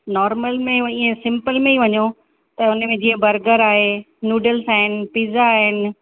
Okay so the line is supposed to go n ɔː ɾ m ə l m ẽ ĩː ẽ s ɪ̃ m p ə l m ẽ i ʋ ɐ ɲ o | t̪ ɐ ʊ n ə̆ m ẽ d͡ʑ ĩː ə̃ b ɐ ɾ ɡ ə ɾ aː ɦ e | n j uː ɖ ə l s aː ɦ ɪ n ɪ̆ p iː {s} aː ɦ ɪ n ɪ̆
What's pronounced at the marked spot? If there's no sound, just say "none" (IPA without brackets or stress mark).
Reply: z